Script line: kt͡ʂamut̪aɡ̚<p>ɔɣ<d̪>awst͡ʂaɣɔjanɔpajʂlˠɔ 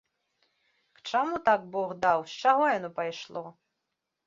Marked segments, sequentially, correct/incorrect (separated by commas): incorrect, correct